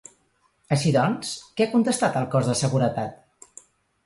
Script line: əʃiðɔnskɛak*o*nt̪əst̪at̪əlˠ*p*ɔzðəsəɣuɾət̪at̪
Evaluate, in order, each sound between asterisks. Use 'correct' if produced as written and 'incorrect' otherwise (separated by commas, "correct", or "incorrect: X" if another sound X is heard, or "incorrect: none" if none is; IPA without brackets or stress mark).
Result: incorrect: u, incorrect: k